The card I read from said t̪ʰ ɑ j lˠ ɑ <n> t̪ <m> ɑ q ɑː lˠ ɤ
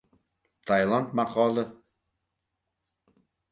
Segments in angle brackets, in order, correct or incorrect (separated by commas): correct, correct